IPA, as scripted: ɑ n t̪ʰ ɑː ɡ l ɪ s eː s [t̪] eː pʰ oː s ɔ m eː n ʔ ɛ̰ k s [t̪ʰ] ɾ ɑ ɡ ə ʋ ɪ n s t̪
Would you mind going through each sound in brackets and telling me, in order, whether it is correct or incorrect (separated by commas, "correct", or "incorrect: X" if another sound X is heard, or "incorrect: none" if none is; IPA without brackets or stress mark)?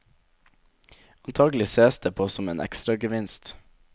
incorrect: d̪, incorrect: t̪